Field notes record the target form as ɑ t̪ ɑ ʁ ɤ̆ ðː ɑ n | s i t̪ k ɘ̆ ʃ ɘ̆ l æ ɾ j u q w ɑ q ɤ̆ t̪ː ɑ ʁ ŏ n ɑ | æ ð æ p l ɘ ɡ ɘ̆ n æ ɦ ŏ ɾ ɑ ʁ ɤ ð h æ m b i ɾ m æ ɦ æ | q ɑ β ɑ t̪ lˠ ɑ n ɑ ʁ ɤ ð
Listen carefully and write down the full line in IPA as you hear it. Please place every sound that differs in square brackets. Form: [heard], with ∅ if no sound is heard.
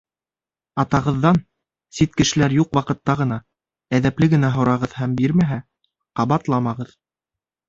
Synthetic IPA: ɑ t̪ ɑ ʁ ɤ̆ ðː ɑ n | s i t̪ k ɘ̆ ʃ ɘ̆ l æ ɾ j u q w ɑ q ɤ̆ t̪ː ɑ ʁ [ɤ̆] n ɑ | æ ð æ p l ɘ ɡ ɘ̆ n æ ɦ ŏ ɾ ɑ ʁ ɤ ð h æ m b i ɾ m æ ɦ æ | q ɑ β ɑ t̪ lˠ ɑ [m] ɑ ʁ ɤ ð